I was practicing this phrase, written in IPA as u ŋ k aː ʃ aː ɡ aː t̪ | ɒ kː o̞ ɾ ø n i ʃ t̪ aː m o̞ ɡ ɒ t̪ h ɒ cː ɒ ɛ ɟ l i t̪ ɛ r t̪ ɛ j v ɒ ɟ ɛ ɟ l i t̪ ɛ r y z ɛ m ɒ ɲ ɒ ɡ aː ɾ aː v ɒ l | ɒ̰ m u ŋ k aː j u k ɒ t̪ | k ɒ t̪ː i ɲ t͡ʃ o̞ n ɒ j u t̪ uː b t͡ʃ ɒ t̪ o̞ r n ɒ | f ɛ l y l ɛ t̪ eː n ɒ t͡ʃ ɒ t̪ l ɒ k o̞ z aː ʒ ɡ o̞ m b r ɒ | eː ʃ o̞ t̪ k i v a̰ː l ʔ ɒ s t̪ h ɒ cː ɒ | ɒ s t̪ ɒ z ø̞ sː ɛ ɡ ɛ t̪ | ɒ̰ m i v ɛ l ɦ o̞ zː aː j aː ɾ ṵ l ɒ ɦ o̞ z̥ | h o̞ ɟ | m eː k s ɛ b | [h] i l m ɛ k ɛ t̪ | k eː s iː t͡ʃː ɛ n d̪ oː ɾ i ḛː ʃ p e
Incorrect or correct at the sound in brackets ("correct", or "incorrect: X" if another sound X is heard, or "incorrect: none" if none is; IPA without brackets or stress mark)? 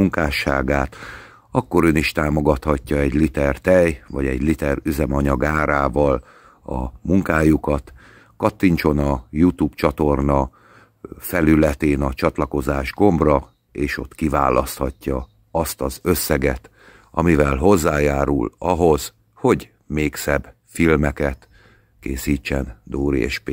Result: incorrect: f